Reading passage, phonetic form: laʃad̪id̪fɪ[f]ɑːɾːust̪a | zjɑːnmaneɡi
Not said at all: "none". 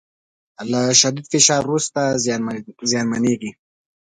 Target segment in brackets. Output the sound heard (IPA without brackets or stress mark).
ʃ